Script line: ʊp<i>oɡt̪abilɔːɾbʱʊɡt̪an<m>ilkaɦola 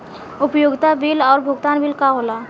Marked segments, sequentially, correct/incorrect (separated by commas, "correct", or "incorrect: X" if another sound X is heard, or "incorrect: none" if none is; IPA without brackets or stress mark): incorrect: j, incorrect: b